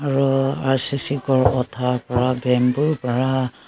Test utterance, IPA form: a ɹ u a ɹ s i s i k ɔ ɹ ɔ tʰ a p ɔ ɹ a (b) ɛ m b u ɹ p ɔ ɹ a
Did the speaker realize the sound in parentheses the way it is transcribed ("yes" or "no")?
yes